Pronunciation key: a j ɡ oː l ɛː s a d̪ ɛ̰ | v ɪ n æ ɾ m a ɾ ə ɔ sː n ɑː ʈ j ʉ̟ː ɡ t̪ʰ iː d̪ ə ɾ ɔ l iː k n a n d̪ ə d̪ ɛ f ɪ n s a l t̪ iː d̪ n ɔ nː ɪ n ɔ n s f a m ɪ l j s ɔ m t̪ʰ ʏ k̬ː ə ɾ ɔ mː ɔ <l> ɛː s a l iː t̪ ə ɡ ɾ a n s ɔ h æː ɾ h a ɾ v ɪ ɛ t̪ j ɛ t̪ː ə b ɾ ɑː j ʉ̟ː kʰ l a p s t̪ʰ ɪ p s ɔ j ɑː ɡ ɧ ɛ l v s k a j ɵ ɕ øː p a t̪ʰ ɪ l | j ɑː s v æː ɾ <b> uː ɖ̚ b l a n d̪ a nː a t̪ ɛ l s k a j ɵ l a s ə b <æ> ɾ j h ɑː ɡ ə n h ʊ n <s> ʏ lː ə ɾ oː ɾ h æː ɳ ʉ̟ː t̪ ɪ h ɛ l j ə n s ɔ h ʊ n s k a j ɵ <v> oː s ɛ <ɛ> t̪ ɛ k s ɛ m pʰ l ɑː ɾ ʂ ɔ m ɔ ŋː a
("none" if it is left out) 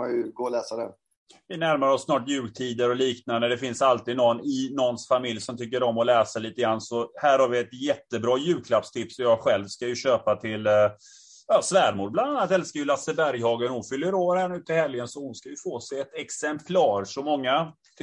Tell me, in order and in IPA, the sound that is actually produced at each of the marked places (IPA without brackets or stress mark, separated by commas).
l, m, æ, f, f, ɛ